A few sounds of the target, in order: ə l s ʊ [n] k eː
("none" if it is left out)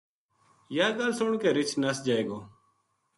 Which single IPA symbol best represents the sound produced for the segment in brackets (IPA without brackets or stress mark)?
ɳ